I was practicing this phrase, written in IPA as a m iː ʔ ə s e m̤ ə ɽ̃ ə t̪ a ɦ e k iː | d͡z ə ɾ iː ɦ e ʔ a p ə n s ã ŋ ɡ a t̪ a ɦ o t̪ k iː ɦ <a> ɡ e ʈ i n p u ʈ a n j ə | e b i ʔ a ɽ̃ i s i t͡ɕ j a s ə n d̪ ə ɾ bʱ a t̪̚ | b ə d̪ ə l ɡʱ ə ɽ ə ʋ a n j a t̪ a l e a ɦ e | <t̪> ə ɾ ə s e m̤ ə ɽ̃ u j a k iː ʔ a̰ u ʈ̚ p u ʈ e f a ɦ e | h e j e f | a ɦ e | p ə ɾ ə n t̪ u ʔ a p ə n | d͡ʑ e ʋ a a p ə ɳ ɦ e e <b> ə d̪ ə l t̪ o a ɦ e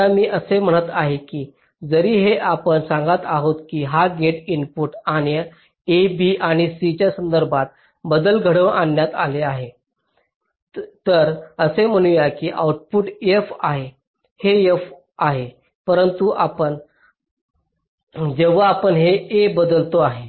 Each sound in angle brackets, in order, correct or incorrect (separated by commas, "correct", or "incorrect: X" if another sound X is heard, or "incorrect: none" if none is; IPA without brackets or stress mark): correct, correct, correct